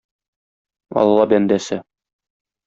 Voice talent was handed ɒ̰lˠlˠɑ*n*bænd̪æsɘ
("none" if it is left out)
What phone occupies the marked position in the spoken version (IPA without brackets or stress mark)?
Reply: none